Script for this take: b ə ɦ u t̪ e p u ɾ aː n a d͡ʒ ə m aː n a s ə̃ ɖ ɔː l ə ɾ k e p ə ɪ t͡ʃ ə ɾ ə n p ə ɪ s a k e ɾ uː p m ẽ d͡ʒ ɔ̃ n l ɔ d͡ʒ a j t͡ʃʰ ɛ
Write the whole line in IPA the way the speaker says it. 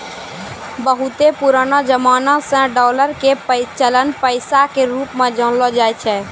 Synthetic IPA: b ə ɦ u t̪ e p u ɾ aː n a d͡ʒ ə m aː n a s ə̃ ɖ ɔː l ə ɾ k e p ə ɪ t͡ʃ ə l ə n p ə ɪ s a k e ɾ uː p m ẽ d͡ʒ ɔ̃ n l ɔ d͡ʒ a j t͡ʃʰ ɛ